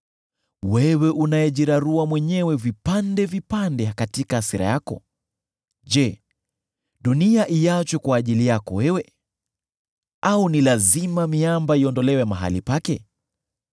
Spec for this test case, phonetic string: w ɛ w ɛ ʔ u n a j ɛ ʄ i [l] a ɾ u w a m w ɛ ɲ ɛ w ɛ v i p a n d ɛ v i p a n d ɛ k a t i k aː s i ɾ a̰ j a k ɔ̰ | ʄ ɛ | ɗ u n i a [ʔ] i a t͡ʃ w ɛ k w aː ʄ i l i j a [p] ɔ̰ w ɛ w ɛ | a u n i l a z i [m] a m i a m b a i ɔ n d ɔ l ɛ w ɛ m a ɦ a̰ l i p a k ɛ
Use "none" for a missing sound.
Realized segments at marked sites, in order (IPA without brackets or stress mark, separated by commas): ɾ, ʔ, k, m